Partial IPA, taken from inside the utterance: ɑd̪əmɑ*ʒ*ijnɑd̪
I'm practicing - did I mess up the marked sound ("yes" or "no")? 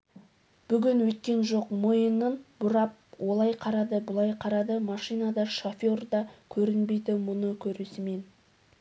yes